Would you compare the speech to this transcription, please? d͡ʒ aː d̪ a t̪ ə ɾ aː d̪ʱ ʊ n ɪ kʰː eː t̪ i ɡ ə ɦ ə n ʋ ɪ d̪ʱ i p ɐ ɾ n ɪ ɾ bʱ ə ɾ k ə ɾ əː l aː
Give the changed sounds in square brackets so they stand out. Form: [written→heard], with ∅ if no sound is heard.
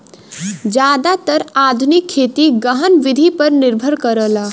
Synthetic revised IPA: d͡ʒ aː d̪ a t̪ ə ɾ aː d̪ʱ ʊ n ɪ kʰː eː t̪ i ɡ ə ɦ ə n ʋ ɪ d̪ʱ i p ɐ ɾ n ɪ ɾ bʱ ə ɾ k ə ɾ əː l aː